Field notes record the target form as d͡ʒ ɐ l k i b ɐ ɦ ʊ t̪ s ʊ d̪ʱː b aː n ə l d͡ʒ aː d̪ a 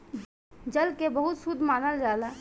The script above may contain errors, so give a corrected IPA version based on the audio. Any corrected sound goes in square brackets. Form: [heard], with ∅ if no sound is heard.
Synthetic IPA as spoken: d͡ʒ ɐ l k [e] b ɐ ɦ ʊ t̪ s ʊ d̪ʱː [m] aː n ə l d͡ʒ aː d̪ a